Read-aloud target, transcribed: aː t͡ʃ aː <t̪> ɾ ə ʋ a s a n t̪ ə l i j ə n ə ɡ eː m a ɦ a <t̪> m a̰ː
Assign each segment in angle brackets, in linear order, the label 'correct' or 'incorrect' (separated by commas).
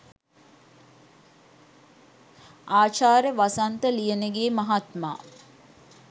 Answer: incorrect, correct